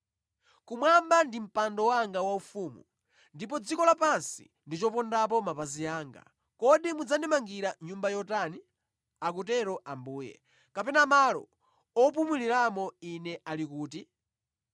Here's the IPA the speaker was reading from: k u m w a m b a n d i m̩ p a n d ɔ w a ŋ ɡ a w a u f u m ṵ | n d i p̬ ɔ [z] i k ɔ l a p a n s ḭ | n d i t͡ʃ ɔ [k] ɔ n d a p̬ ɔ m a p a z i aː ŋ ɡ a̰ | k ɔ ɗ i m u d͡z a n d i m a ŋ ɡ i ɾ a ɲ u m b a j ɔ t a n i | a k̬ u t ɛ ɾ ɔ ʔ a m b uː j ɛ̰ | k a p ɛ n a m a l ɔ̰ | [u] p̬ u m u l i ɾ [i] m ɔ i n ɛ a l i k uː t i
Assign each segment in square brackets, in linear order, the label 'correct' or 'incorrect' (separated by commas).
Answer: incorrect, incorrect, incorrect, incorrect